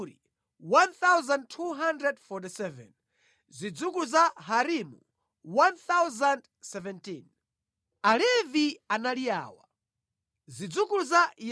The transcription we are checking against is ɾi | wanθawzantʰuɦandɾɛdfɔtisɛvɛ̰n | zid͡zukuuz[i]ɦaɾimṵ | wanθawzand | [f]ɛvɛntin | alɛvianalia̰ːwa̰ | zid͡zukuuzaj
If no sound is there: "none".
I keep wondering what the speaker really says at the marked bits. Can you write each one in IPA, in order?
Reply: a, s

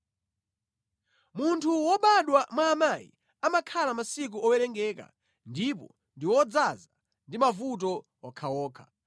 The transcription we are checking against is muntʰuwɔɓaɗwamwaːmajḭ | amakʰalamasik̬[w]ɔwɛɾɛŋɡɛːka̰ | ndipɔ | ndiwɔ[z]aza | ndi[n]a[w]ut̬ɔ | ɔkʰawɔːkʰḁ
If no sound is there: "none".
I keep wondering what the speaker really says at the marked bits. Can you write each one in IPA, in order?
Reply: u, d͡z, m, v

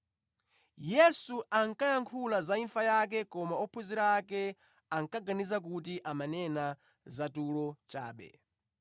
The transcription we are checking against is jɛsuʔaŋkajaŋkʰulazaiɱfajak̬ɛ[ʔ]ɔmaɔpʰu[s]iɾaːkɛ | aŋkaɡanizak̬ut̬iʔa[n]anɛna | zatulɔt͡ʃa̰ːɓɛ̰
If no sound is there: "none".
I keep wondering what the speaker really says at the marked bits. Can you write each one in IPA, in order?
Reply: k, z, m

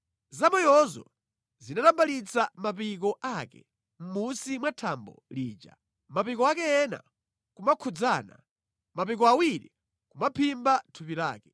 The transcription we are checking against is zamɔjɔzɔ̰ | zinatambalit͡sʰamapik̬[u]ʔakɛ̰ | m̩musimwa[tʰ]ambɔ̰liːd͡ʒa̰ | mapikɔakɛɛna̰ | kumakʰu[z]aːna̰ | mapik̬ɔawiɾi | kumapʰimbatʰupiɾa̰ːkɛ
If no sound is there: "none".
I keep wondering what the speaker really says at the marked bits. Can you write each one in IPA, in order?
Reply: ɔ, tʰ, d͡z

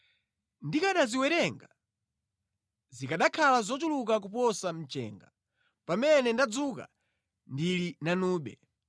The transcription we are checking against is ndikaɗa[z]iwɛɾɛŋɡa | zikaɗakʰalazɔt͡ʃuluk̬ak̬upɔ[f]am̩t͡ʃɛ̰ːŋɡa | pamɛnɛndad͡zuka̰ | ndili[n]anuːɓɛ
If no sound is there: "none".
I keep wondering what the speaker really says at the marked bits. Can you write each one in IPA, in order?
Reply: z, s, n

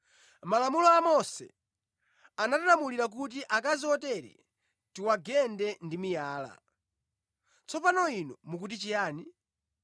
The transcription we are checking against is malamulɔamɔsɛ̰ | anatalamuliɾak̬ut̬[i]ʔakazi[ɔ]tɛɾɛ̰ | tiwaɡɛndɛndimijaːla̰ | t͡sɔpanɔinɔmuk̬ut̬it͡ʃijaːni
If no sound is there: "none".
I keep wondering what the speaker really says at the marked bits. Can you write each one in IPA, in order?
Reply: i, ɔ

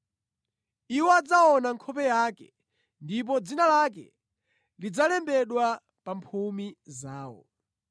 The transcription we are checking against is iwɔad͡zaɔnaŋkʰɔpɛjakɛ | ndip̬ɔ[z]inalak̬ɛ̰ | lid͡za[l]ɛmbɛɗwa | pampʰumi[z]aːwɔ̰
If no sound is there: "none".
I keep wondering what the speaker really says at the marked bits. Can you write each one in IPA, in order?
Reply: d͡z, l, z

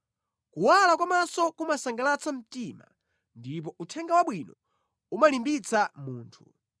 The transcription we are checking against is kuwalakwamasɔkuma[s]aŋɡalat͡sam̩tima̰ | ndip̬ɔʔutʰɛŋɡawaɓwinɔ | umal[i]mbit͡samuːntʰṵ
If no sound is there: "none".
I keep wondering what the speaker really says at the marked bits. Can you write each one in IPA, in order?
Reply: s, i

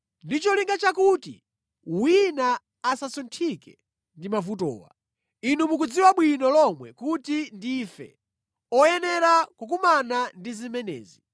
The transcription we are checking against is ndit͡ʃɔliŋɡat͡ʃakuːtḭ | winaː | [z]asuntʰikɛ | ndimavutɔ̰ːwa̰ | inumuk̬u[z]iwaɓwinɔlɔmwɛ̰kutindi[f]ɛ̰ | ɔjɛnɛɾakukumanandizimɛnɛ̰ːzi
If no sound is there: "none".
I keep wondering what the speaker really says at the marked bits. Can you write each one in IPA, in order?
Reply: s, d͡z, f

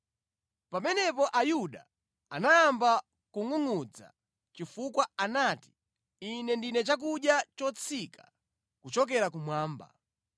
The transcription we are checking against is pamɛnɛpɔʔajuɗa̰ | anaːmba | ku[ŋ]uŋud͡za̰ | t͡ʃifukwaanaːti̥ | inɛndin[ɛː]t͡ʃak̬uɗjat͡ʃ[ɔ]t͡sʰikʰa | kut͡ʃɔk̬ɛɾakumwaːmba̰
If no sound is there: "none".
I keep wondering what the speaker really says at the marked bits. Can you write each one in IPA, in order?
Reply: ŋ, ɛ, ɔ

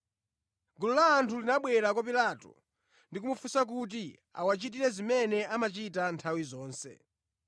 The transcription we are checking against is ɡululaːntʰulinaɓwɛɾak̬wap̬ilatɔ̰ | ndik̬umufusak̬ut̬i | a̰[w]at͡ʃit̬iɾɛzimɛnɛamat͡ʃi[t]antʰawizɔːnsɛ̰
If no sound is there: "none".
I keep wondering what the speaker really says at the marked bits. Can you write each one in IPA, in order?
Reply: w, t

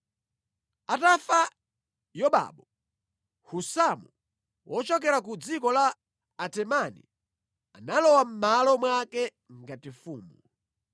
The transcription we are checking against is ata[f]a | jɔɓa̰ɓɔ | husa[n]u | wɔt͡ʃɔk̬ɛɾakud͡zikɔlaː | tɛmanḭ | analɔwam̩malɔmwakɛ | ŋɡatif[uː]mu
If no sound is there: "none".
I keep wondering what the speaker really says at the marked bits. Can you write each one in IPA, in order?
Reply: f, m, uː

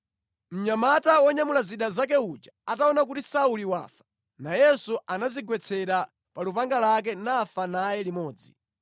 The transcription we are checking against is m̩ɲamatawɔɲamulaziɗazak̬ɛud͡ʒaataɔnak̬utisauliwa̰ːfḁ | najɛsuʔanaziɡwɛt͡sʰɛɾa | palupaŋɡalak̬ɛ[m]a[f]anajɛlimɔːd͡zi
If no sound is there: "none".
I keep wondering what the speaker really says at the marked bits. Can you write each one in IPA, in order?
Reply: n, f

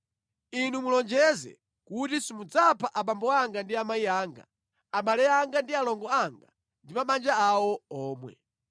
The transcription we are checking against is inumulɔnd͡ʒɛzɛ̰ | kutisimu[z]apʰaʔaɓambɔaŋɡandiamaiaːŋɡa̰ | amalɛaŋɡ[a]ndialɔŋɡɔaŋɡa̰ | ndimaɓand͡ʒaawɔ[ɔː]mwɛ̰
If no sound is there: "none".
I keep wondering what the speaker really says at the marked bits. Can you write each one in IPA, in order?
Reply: d͡z, a, ɔː

